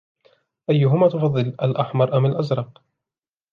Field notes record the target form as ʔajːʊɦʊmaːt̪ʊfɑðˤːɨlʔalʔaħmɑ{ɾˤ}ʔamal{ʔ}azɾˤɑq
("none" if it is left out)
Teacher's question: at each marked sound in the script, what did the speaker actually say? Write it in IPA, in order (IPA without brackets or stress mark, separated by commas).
ɾˤ, ʔ